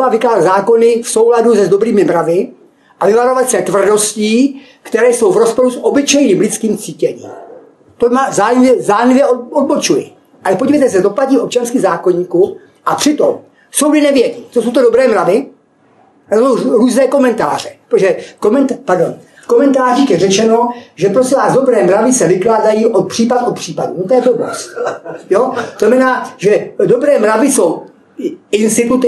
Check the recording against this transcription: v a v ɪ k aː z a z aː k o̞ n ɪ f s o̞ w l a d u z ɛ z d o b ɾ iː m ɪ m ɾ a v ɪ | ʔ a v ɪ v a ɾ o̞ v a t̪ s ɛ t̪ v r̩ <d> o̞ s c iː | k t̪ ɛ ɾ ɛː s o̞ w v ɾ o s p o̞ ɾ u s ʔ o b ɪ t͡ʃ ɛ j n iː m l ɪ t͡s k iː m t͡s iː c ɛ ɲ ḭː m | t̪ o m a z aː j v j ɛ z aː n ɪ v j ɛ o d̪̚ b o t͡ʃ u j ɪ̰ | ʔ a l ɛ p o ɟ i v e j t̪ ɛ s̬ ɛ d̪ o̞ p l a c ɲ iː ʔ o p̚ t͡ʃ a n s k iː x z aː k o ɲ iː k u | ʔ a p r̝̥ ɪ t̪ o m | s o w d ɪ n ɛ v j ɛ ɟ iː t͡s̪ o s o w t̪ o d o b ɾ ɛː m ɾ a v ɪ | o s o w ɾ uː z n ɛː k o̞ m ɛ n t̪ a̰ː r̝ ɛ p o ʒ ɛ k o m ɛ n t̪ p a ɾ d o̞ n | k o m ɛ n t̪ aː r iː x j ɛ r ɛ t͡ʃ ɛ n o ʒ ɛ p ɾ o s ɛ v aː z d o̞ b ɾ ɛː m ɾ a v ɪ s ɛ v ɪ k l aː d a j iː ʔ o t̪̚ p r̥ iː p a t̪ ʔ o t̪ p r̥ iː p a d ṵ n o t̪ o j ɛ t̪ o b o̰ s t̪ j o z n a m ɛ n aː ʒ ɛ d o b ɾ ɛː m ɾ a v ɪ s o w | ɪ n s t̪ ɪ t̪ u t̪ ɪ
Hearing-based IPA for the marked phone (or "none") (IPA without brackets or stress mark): d